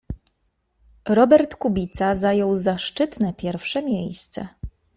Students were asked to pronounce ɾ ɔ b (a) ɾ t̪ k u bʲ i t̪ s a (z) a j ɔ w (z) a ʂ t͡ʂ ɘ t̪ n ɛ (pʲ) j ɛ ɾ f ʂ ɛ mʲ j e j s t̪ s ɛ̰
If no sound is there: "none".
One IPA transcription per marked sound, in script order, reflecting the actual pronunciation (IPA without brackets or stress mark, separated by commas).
ɛ, z, z, pʲ